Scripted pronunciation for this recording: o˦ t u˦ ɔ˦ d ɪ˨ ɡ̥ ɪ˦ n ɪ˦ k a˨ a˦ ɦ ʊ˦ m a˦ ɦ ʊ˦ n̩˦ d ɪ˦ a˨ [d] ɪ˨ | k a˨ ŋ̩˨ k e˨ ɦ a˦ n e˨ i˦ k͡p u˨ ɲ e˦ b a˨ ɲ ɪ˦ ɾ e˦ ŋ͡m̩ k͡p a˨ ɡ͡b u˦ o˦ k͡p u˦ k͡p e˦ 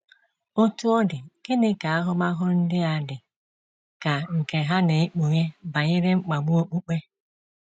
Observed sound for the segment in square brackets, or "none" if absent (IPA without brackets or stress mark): d